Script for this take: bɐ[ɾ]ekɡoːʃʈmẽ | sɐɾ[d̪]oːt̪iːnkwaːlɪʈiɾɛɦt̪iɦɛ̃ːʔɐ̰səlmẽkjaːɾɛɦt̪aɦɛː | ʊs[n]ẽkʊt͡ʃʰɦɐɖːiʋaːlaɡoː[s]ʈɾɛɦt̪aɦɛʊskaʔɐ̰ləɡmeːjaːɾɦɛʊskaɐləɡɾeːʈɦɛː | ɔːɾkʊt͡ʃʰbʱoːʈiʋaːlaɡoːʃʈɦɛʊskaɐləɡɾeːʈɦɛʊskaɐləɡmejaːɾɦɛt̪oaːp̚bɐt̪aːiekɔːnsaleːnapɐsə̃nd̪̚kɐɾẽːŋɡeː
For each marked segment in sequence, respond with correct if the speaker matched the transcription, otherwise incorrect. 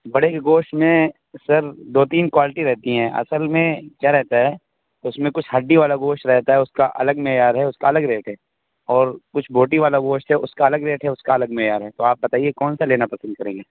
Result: incorrect: ɽ, correct, incorrect: m, incorrect: ʃ

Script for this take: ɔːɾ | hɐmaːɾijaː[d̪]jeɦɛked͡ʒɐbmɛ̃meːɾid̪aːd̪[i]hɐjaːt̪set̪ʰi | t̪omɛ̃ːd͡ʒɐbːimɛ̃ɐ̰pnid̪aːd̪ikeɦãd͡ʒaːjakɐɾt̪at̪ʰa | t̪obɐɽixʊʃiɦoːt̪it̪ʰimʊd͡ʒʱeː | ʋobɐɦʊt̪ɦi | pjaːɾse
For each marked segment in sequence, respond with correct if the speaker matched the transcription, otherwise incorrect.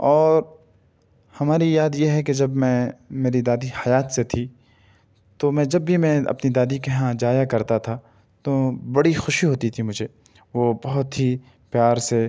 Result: correct, correct

